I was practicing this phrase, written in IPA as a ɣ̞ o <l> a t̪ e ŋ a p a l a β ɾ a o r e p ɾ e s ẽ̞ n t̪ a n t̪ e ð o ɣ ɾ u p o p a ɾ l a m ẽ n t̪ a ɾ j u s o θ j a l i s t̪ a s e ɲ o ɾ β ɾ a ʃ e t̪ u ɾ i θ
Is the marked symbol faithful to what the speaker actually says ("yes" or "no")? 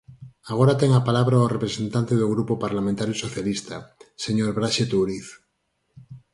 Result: no